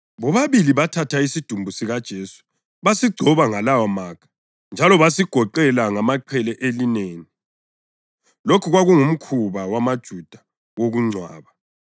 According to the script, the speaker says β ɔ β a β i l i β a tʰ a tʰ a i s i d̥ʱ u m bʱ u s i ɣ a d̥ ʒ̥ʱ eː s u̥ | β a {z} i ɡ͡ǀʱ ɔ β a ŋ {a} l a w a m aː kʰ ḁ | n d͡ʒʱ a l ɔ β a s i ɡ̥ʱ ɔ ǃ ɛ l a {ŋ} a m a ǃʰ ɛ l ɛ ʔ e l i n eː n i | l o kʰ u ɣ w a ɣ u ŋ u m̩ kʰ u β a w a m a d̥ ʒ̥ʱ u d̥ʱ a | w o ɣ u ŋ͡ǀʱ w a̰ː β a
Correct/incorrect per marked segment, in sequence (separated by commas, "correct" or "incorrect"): incorrect, correct, correct